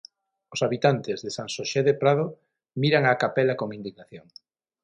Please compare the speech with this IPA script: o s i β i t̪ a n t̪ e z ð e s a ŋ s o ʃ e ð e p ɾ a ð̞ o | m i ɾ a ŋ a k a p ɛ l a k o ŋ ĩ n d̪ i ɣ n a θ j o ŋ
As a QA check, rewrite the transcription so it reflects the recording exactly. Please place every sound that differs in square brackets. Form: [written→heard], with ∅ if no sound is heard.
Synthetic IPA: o s [i→a] β i t̪ a n t̪ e z ð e s a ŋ s o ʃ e ð e p ɾ a ð̞ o | m i ɾ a ŋ a k a p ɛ l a k o ŋ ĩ n d̪ i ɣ n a θ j o ŋ